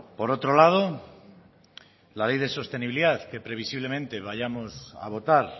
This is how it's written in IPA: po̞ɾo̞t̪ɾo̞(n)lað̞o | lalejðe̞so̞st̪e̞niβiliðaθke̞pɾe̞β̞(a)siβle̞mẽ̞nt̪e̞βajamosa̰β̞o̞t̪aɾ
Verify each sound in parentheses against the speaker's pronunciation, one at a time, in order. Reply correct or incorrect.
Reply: incorrect, incorrect

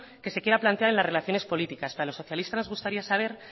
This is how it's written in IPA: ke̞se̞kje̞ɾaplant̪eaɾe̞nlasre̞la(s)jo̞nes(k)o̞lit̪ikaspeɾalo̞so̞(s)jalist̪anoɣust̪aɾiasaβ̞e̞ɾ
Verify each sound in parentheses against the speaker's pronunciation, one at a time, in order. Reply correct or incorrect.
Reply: incorrect, incorrect, incorrect

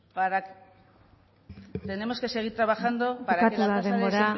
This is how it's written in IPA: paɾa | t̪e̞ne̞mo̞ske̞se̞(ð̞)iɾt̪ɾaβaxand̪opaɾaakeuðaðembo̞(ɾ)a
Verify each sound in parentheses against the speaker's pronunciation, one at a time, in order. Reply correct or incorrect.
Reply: incorrect, correct

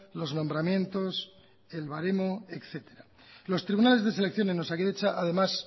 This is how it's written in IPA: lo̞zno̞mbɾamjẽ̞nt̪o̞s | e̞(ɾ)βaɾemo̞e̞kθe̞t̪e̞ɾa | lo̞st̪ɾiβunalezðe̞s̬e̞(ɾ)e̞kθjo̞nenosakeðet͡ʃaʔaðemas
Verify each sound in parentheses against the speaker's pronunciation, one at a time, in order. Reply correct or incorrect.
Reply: incorrect, incorrect

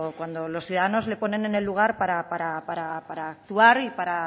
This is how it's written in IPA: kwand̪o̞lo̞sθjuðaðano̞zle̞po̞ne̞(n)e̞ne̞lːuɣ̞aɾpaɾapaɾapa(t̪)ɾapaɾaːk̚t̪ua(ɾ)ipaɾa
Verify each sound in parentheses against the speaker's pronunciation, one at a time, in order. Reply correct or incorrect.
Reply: correct, incorrect, correct

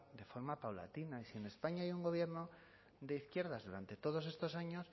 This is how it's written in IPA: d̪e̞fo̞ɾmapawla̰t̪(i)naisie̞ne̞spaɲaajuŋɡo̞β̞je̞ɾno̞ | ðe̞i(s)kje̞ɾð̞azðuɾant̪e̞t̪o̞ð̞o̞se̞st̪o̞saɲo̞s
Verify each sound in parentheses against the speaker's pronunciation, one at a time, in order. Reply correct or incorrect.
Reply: correct, incorrect

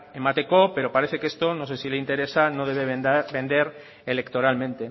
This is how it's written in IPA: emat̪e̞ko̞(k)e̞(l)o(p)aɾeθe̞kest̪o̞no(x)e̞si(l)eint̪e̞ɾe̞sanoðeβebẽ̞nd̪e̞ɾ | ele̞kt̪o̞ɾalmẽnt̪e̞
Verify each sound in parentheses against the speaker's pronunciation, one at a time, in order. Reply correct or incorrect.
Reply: incorrect, incorrect, correct, incorrect, correct

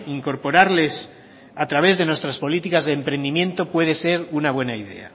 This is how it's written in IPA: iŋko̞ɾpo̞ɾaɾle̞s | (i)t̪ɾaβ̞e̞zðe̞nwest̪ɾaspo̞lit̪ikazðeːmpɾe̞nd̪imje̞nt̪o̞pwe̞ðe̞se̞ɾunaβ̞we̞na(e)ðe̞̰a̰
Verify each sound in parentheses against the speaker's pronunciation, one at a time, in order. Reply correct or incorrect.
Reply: incorrect, incorrect

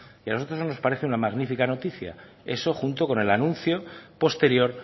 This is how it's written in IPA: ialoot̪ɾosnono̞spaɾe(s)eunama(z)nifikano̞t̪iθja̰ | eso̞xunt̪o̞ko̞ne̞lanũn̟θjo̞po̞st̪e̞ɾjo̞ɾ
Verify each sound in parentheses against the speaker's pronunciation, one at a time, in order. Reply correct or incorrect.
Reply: incorrect, incorrect

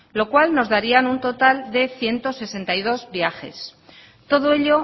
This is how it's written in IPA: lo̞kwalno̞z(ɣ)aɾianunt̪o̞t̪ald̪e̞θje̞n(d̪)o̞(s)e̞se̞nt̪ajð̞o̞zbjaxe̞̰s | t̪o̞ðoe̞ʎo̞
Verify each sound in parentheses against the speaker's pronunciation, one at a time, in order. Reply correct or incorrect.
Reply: incorrect, incorrect, correct

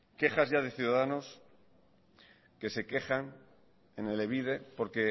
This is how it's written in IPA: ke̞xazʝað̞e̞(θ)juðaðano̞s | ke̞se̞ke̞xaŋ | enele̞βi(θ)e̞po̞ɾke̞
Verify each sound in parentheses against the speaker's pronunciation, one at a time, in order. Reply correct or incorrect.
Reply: correct, incorrect

